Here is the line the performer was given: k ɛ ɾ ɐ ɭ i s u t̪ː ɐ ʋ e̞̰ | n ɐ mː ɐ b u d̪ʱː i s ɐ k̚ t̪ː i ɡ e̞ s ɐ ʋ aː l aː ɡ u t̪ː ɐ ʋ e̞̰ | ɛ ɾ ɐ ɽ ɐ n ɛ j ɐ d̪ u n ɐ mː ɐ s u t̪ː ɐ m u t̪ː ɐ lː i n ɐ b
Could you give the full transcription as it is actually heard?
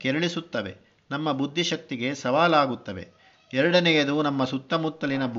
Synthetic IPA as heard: k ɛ ɾ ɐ ɭ i s u t̪ː ɐ ʋ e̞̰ | n ɐ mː ɐ b u d̪ʱː i ʃ ɐ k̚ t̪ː i ɡ e̞ s ɐ ʋ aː l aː ɡ u t̪ː ɐ ʋ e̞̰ | ɛ ɾ ɐ ɽ ɐ n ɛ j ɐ d̪ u n ɐ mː ɐ s u t̪ː ɐ m u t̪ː ɐ l i n ɐ b